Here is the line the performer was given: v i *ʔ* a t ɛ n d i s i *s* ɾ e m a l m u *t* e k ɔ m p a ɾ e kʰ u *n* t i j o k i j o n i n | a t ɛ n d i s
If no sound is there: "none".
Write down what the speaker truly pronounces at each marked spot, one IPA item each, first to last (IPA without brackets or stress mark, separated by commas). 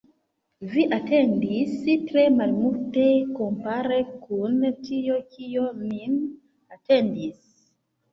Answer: ʔ, t, t, n